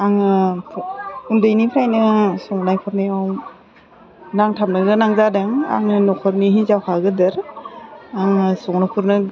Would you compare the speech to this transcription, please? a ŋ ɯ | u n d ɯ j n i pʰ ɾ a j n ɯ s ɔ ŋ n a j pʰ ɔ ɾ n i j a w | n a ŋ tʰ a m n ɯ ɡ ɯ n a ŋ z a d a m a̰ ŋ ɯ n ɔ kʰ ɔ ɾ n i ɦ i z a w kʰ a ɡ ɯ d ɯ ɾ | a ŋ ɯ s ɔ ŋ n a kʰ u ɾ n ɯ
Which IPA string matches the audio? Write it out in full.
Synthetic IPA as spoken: a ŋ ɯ | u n d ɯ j n i pʰ ɾ a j n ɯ s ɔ ŋ n a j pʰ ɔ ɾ n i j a w | n a ŋ tʰ a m n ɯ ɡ ɯ n a ŋ z a d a ŋ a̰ ŋ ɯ n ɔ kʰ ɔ ɾ n i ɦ i z a w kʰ a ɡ ɯ d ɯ ɾ | a ŋ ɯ s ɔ ŋ n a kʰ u ɾ n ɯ